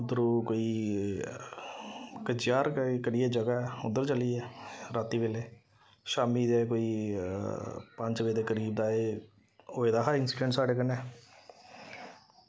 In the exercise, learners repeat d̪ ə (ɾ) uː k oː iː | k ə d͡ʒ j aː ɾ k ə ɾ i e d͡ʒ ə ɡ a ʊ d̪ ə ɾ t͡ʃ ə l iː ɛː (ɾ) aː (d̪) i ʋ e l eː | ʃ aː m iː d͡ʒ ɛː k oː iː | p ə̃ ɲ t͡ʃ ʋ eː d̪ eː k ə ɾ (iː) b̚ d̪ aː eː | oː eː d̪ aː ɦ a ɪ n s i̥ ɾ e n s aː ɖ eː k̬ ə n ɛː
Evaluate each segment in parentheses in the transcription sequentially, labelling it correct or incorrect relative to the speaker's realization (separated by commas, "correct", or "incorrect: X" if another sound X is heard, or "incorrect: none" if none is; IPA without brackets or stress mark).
correct, correct, incorrect: t̪, correct